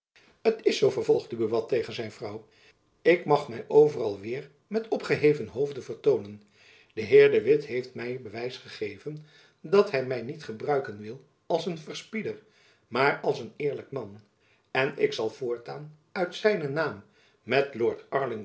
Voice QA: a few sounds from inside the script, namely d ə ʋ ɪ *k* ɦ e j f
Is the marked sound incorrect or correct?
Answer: incorrect